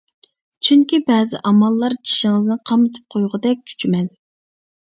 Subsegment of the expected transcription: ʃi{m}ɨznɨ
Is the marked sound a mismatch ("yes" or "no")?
yes